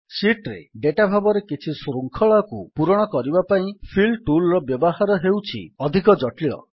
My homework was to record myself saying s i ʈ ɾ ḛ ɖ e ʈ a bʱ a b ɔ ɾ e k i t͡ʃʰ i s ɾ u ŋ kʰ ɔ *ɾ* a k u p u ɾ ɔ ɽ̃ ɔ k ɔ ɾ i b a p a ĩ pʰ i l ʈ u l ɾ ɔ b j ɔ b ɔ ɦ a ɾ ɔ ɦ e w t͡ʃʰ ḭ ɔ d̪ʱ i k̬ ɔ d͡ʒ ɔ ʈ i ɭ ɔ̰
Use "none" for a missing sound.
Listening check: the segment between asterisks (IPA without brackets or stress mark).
ɭ